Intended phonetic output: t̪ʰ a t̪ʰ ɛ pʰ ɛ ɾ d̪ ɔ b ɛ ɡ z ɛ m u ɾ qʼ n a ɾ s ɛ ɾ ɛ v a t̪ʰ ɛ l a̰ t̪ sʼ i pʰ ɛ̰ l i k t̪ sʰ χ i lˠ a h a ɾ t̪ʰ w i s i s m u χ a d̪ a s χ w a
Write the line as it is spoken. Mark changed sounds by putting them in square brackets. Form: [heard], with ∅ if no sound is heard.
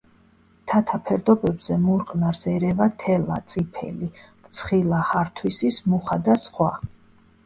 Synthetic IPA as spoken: t̪ʰ a t̪ʰ [a] pʰ ɛ ɾ d̪ ɔ b ɛ [b] z ɛ m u ɾ qʼ n a ɾ s ɛ ɾ ɛ v a t̪ʰ ɛ l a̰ t̪ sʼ i pʰ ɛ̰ l i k t̪ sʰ χ i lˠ a h a ɾ t̪ʰ w i s i s m u χ a d̪ a s χ w a